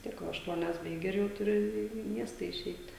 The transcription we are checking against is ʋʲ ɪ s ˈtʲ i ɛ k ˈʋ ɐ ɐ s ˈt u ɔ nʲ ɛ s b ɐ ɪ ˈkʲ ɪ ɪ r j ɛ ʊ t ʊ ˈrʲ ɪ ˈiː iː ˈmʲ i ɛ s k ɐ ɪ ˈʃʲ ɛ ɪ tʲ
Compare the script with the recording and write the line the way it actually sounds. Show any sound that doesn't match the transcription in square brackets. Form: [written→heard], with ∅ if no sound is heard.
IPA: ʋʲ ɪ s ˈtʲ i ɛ k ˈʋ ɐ ɐ [s→ʃ] ˈt u ɔ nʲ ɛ s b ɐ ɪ [ˈkʲ→ˈɡʲ] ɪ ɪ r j ɛ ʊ t ʊ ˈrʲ ɪ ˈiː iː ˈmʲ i ɛ s [k→t] ɐ ɪ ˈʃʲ ɛ ɪ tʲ

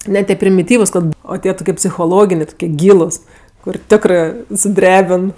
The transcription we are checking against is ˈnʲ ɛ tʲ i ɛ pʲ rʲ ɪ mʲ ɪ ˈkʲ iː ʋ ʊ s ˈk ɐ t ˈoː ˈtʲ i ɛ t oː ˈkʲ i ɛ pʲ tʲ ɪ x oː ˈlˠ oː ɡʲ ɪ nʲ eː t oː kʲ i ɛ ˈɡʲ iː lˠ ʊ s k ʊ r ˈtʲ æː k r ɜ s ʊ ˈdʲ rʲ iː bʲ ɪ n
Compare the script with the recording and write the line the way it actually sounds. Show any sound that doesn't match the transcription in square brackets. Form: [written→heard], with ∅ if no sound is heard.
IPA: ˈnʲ ɛ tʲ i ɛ pʲ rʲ ɪ mʲ ɪ [ˈkʲ→ˈtʲ] iː ʋ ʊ s ˈk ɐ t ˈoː ˈtʲ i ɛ t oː ˈkʲ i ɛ pʲ [tʲ→sʲ] ɪ x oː ˈlˠ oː ɡʲ ɪ nʲ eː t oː kʲ i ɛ ˈɡʲ iː lˠ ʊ s k ʊ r ˈtʲ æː k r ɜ s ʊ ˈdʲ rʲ [iː→æː] bʲ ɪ n

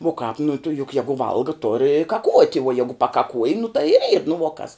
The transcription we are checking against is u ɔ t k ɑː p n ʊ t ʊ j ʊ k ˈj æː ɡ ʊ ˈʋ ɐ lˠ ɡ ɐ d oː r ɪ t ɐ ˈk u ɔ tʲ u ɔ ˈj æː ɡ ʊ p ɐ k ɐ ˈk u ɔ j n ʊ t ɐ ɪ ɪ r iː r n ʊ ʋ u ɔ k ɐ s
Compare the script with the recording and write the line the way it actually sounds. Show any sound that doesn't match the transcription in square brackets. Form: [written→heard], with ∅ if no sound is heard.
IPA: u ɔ [t→∅] k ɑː p n ʊ t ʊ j ʊ k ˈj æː ɡ ʊ ˈʋ ɐ lˠ ɡ ɐ [d→t] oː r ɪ [t→k] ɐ ˈk u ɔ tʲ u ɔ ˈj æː ɡ ʊ p ɐ k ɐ ˈk u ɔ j n ʊ t ɐ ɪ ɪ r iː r n ʊ ʋ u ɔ k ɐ s

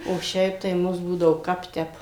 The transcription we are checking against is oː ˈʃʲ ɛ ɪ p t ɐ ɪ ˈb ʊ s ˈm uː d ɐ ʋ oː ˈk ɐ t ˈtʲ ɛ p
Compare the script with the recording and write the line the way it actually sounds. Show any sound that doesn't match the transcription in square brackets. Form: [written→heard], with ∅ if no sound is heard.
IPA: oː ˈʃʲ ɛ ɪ p t ɐ ɪ [ˈb→ˈm] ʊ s [ˈm→ˈb] uː d ɐ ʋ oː ˈk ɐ [t→p] ˈtʲ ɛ p

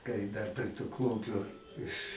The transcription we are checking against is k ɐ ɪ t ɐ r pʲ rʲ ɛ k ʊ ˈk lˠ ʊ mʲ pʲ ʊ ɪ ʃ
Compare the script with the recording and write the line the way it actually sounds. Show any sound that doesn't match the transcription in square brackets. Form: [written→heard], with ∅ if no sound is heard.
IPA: k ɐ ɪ [t→d] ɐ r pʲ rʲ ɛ [k→t] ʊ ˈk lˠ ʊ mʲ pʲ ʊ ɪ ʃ

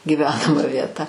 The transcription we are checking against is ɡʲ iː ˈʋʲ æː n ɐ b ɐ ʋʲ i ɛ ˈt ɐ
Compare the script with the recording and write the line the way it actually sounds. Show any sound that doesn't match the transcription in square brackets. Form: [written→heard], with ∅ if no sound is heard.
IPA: ɡʲ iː ˈʋʲ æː n ɐ [b→m] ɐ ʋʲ i ɛ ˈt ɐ

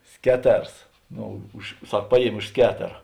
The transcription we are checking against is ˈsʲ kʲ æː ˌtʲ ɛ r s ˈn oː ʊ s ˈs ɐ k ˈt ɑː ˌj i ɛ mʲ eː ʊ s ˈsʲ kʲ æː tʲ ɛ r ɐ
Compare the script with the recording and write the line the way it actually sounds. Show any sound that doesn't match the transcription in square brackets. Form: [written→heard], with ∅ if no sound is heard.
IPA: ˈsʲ kʲ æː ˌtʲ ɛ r s ˈn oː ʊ [s→ʃ] ˈs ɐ k [ˈt→ˈp] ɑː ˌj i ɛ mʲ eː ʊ [s→ʃ] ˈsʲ kʲ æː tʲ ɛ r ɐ

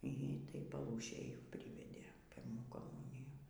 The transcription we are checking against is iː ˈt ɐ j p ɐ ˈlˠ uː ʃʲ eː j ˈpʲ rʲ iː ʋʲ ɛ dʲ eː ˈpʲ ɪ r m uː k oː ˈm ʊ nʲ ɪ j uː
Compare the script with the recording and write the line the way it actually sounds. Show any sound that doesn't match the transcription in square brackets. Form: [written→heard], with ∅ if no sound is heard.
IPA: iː ˈt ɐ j p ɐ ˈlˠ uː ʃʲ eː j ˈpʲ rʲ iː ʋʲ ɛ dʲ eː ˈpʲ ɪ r m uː k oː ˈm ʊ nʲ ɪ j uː

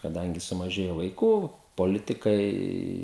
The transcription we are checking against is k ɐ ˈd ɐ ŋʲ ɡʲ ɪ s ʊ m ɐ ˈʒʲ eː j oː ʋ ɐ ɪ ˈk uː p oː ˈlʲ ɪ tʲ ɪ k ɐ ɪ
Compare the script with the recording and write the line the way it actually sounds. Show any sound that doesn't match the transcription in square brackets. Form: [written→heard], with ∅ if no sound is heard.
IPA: k ɐ ˈd ɐ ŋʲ ɡʲ ɪ s ʊ m ɐ ˈʒʲ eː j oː ʋ ɐ ɪ ˈk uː p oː ˈlʲ ɪ tʲ ɪ k ɐ ɪ

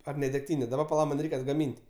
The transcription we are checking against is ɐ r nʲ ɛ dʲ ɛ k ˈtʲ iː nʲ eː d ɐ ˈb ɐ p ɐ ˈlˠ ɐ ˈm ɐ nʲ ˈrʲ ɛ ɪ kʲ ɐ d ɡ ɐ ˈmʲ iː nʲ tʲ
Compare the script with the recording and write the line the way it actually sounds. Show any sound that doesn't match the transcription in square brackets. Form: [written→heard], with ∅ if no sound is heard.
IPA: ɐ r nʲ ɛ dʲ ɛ k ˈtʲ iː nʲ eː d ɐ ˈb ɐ p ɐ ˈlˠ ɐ ˈm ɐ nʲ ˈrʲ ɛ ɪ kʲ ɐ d ɡ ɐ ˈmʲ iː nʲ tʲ

